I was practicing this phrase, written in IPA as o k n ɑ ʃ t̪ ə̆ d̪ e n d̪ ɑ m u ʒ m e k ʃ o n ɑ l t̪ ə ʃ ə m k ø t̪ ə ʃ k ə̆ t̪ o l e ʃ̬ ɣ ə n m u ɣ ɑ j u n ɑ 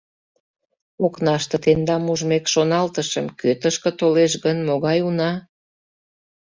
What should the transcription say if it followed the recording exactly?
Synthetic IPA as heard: o k n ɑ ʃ t̪ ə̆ t̪ e n d̪ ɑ m u ʒ m e k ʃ o n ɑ l t̪ ə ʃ ə m k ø t̪ ə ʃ k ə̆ t̪ o l e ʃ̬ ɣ ə n m o ɣ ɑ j u n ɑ